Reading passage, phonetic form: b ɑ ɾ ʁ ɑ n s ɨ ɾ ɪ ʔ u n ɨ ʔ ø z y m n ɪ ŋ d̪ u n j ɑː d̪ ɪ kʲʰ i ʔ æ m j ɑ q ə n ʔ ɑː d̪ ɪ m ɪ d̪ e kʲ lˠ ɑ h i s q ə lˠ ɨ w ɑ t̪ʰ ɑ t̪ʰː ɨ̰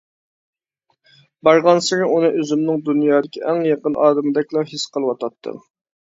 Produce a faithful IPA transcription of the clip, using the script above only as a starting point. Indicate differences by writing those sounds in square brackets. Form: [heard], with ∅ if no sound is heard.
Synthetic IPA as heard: b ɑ ɾ ʁ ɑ n s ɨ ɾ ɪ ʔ u n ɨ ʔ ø z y m n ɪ ŋ d̪ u n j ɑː d̪ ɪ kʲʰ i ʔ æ [ŋ] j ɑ q ə n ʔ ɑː d̪ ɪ m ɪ d̪ [ɛ] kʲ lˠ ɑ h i s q ə lˠ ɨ w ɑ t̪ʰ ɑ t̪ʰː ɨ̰